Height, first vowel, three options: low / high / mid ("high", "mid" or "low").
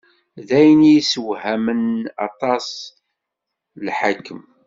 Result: low